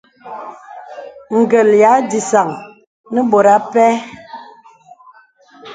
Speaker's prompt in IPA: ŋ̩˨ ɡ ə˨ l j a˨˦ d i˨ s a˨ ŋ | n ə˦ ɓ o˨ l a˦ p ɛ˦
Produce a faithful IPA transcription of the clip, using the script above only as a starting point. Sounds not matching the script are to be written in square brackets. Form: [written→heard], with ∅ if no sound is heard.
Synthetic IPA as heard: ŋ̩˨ ɡ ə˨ l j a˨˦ d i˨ s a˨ ŋ | n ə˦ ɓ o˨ [l→ɾ] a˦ p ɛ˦